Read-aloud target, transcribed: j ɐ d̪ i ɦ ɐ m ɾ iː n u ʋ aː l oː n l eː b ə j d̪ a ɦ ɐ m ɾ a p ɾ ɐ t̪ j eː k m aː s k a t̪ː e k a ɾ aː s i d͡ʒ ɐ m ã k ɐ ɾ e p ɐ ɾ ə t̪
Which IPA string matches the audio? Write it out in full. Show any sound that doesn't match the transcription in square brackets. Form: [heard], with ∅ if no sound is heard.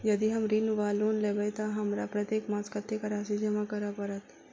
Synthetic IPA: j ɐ d̪ i ɦ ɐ m ɾ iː n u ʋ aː l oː n l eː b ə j [t̪] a ɦ ɐ m ɾ a p ɾ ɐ t̪ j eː k m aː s k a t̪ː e k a ɾ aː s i d͡ʒ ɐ m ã k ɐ ɾ [a] p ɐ ɾ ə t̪